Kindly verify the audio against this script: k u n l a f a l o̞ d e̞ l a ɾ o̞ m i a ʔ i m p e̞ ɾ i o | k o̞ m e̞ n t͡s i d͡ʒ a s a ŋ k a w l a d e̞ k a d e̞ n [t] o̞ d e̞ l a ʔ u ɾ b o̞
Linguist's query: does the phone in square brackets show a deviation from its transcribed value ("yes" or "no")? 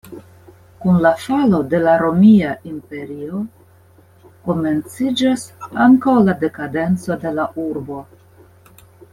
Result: yes